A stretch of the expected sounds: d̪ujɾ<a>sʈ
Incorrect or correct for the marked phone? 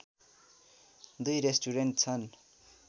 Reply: incorrect: e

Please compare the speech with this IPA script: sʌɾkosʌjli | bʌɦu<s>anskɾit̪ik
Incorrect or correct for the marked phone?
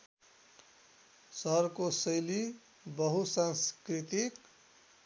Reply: correct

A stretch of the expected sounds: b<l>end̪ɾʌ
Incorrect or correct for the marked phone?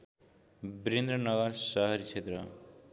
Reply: incorrect: ɾ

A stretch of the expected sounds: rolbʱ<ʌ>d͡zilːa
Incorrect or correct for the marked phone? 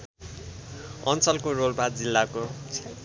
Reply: incorrect: a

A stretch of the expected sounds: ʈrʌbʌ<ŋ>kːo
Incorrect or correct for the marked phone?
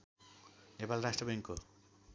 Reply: correct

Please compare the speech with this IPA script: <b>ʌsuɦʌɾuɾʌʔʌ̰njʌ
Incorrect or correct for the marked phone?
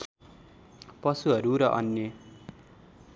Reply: incorrect: p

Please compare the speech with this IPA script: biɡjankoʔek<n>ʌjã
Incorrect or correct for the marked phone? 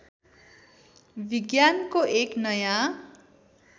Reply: correct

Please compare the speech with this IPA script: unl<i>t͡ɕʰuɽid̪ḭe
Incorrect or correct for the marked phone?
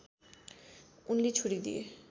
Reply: correct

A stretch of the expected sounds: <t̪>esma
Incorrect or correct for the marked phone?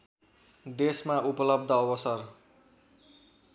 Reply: incorrect: d̪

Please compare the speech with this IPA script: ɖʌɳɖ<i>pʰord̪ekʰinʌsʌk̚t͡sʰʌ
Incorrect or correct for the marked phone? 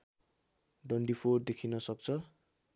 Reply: correct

